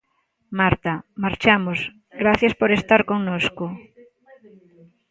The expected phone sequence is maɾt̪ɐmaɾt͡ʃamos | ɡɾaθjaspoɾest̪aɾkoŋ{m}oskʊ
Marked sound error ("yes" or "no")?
yes